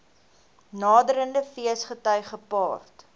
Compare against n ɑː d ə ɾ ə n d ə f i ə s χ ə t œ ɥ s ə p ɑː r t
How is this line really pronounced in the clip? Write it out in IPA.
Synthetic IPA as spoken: n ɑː d ə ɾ ə n d ə f i ə s χ ə t œ ɥ χ ə p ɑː r t